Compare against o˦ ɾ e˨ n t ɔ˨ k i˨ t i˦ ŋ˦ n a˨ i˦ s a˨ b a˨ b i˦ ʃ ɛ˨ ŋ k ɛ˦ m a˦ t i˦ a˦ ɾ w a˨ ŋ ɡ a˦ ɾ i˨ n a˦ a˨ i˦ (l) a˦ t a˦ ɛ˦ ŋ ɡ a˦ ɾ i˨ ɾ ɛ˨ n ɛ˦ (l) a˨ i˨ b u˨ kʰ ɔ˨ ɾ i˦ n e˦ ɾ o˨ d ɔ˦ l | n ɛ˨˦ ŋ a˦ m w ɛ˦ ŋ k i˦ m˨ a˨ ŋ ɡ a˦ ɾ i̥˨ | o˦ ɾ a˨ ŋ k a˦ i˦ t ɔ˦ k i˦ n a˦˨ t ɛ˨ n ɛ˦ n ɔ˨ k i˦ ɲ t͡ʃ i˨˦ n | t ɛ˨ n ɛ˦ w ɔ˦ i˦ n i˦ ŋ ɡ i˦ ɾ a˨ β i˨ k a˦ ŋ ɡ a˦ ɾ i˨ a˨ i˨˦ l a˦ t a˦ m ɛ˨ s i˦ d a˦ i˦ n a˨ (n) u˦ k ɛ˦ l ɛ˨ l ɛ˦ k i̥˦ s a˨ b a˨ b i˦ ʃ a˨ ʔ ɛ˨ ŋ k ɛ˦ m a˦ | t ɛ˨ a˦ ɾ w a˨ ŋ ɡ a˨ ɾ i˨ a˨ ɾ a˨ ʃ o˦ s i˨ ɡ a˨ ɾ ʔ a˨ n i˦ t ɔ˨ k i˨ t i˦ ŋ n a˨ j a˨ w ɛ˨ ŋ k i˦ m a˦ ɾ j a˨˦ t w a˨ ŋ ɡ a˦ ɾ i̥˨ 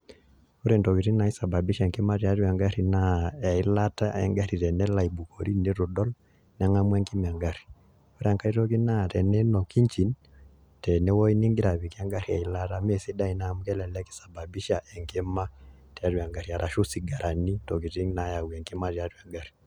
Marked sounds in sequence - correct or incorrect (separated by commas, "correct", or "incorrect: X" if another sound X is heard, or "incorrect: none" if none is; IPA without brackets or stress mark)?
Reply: correct, correct, incorrect: m